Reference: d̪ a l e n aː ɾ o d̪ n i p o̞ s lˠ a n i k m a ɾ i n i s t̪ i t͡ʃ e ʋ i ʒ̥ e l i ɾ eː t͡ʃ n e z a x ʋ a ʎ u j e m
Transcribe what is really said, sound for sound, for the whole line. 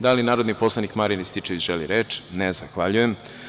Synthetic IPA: d̪ a l i n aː ɾ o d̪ n i p o̞ s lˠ a n i k m a ɾ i n i s t̪ i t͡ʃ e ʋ i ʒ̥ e l i ɾ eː t͡ʃ n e z a x ʋ a ʎ u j e m